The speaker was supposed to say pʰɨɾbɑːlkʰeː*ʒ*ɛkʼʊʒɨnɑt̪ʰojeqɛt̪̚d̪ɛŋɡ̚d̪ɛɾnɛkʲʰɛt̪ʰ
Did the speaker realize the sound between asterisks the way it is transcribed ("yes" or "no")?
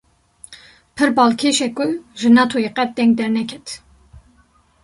no